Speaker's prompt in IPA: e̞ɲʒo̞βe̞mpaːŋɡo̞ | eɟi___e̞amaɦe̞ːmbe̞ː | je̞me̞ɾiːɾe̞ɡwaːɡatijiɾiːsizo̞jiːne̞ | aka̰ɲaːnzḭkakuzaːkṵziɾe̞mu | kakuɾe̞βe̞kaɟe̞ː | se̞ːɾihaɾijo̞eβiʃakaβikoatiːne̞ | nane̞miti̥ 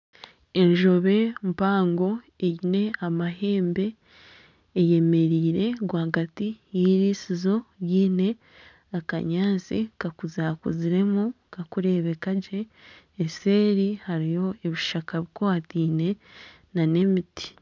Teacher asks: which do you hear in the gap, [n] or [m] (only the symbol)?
n